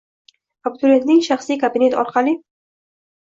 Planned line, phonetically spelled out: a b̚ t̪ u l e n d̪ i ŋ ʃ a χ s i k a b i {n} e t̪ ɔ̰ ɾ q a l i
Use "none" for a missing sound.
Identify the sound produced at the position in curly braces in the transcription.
n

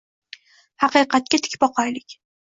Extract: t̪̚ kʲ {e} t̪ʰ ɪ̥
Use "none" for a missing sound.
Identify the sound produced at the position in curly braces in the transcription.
a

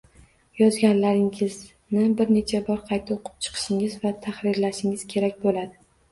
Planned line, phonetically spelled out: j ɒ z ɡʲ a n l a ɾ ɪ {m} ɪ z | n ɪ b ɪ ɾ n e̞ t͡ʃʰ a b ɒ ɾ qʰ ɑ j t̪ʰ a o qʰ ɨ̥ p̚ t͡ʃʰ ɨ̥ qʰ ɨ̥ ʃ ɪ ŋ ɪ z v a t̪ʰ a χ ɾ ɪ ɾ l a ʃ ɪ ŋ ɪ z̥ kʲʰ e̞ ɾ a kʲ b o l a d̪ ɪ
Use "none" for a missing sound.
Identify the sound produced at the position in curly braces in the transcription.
ŋ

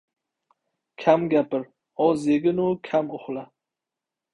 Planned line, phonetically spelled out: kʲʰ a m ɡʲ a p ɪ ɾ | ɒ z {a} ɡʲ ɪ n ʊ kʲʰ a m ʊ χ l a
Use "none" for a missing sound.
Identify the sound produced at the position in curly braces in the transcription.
e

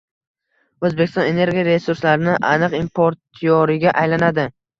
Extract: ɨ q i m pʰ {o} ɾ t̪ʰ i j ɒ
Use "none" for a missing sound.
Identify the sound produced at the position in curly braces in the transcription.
o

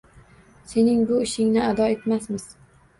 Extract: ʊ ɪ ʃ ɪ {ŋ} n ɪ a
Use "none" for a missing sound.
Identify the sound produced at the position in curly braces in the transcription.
ŋ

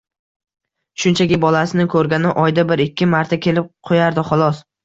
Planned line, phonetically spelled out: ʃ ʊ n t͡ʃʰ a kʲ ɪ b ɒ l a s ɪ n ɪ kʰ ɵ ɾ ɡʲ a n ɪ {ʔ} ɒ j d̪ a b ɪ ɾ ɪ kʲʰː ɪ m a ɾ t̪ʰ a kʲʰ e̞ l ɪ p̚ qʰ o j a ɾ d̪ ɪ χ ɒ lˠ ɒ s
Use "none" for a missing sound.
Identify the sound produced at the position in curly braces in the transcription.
ʔ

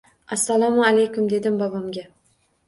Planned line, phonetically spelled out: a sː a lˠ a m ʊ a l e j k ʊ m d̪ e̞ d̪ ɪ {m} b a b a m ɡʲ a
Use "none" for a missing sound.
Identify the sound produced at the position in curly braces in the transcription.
m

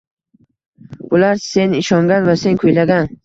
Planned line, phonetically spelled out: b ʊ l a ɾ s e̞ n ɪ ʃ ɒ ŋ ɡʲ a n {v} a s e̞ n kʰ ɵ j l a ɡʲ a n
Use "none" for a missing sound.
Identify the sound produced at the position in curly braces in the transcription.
v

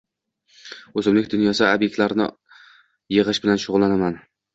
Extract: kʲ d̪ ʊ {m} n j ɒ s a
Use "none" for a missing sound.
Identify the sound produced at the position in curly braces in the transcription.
none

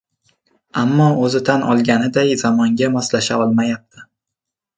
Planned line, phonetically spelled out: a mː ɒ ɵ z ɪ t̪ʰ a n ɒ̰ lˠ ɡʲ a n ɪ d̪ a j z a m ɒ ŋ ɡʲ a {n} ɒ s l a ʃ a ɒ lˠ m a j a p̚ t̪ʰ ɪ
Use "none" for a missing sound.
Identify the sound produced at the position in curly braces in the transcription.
m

